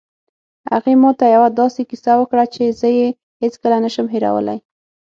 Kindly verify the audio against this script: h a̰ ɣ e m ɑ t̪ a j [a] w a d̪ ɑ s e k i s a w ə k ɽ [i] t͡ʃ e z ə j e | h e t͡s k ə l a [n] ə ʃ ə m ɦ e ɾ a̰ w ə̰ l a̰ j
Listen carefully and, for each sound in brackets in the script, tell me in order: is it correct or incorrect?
correct, incorrect, correct

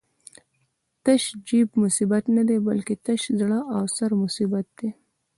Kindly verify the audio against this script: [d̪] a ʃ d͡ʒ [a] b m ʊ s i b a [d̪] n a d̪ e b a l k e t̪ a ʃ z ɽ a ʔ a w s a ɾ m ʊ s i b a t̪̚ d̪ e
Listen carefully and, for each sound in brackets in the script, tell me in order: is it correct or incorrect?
incorrect, incorrect, incorrect

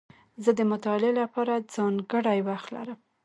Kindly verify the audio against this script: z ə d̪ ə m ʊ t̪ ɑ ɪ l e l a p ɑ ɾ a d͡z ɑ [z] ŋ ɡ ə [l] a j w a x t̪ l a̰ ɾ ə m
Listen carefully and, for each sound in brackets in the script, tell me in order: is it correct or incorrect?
incorrect, incorrect

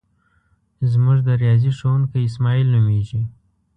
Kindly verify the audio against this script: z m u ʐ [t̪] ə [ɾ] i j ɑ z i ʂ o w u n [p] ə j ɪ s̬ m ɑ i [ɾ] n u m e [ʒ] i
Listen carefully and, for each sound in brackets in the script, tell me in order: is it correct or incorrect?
incorrect, correct, incorrect, incorrect, correct

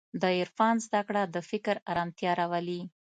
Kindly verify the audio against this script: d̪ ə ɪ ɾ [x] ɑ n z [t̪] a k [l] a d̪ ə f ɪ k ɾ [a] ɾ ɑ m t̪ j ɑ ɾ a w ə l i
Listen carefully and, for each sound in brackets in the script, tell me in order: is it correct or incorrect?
incorrect, incorrect, incorrect, correct

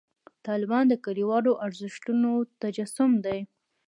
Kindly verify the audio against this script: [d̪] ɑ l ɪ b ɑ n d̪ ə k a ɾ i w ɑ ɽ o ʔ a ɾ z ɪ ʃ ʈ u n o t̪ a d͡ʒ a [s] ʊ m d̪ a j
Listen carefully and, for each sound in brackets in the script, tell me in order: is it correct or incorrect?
incorrect, correct

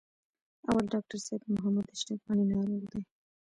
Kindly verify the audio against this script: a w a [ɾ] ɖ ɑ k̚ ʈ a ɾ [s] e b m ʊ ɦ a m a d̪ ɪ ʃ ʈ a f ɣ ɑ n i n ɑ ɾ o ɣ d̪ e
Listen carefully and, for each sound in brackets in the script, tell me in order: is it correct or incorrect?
incorrect, correct

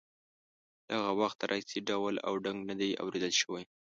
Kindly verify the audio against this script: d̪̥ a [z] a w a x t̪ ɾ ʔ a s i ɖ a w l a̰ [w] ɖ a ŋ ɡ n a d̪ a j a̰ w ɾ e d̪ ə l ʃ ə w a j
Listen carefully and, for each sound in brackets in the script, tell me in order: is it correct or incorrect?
incorrect, correct

